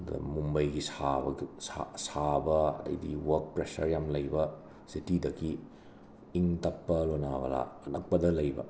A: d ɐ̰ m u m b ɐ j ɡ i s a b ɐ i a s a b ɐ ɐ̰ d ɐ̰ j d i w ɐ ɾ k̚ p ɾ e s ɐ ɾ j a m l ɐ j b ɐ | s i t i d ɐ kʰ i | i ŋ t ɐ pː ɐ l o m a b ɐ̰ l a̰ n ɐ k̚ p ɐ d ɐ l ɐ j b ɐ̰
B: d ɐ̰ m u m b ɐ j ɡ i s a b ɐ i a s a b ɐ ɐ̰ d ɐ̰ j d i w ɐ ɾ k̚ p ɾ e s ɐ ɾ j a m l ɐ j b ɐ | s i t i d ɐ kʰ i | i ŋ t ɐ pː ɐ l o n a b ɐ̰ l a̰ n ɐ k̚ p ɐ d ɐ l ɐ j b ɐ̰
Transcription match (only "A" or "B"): B